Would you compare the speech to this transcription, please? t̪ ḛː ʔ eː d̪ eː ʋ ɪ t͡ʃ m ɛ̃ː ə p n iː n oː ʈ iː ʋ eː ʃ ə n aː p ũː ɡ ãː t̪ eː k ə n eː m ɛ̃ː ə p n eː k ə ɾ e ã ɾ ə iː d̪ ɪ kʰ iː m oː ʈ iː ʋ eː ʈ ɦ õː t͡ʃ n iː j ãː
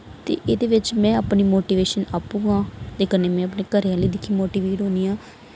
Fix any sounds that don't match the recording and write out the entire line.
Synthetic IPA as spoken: t̪ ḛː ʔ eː d̪ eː ʋ ɪ t͡ʃ m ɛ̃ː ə p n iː m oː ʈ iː ʋ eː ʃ ə n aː p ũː ɡ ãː t̪ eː k ə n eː m ɛ̃ː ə p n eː k ə ɾ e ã l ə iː d̪ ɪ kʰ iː m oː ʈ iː ʋ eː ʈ ɦ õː n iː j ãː